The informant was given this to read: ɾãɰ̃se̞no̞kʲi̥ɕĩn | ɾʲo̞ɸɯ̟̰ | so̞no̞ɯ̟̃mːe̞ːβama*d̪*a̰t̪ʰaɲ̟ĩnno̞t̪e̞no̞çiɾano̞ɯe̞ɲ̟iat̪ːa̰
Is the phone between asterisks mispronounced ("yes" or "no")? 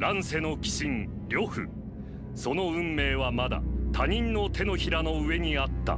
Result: no